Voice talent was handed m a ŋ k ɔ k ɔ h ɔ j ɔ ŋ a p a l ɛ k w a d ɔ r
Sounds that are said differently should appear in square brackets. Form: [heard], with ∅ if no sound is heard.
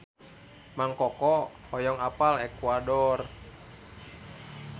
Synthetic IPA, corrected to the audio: m a ŋ k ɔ k ɔ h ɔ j ɔ ŋ a p a l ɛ k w a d ɔ r